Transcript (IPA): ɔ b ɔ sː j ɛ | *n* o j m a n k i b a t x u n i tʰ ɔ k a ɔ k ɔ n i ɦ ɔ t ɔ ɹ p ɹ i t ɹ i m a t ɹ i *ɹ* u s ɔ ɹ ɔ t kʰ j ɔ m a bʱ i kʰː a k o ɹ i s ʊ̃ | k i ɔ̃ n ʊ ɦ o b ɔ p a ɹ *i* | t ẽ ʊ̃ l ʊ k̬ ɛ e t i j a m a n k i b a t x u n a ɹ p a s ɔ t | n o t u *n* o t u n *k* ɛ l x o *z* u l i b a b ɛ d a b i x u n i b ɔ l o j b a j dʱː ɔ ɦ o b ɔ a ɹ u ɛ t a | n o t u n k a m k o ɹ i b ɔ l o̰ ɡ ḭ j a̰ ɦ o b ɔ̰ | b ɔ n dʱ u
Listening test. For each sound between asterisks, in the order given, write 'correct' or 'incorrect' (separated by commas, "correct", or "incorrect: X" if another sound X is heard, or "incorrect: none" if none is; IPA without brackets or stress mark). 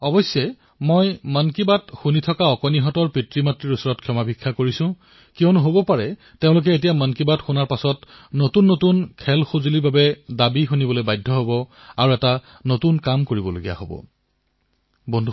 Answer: incorrect: m, correct, incorrect: ɛ, incorrect: nː, incorrect: kʰ, correct